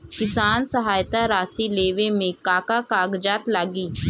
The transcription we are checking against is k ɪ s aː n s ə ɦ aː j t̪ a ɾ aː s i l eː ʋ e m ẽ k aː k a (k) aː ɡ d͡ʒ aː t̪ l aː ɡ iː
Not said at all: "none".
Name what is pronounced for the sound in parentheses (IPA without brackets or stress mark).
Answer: k